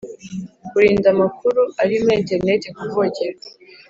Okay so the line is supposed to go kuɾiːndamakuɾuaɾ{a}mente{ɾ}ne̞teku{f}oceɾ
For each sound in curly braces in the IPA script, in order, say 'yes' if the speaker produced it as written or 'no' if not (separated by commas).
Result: no, yes, no